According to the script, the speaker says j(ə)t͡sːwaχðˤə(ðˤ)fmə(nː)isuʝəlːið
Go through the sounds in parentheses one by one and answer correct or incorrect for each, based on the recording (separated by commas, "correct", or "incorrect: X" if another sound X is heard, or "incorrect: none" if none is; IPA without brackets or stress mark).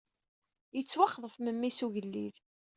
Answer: correct, incorrect: none, incorrect: mː